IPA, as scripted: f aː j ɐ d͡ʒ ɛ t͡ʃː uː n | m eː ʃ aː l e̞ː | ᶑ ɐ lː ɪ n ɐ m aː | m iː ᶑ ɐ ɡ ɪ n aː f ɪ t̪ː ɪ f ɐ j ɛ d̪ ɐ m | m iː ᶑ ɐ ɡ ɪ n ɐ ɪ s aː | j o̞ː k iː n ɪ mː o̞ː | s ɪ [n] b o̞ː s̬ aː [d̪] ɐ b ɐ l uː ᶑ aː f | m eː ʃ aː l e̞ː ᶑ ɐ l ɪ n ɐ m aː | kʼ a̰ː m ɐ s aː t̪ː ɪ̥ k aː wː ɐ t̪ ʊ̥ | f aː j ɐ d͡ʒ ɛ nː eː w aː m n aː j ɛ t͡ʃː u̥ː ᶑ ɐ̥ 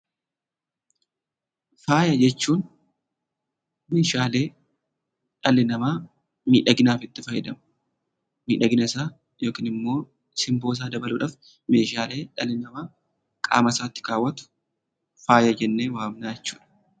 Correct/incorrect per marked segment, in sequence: incorrect: m, correct

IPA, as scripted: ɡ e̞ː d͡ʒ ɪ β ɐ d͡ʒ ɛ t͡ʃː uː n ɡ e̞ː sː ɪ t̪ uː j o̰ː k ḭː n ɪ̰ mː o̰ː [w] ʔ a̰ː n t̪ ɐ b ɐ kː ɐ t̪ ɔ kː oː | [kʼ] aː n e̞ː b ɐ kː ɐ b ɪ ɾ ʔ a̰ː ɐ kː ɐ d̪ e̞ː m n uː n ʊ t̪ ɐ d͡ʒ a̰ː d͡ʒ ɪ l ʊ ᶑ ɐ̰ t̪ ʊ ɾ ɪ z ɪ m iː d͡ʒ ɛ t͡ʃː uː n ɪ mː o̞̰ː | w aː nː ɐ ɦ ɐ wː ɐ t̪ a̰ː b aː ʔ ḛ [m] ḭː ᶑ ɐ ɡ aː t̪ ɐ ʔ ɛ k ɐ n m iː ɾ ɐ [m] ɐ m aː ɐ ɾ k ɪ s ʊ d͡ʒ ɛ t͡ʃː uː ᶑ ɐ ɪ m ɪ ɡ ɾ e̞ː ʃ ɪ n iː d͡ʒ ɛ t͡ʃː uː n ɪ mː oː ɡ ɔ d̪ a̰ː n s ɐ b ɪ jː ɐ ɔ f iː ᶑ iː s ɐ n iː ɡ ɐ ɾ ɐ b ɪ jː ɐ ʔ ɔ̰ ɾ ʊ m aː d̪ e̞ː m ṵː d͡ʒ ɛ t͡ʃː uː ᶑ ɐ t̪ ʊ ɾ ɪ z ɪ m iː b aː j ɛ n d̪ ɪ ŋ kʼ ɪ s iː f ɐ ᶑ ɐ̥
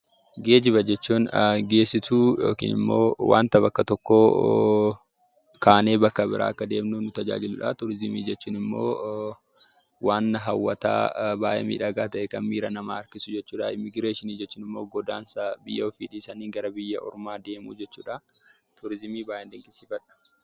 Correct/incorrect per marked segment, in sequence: correct, incorrect: k, correct, incorrect: n

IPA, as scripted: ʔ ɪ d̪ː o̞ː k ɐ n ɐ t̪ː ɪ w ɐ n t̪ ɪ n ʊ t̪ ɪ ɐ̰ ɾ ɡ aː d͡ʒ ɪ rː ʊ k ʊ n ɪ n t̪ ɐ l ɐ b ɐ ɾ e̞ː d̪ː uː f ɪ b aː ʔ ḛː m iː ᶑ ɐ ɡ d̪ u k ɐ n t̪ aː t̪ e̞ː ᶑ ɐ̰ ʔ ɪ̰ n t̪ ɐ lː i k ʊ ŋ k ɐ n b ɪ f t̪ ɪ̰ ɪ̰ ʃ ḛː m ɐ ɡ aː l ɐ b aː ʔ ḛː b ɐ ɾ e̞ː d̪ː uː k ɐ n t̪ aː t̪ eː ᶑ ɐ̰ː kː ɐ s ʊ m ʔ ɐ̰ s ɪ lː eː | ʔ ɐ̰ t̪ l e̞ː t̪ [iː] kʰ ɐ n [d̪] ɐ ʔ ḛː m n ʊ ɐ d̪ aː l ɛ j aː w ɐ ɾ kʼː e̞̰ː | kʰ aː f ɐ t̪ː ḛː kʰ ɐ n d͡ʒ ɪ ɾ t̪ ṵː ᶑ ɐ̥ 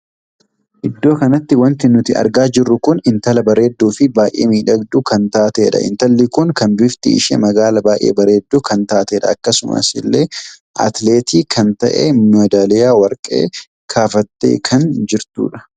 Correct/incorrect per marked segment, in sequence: correct, incorrect: t̪

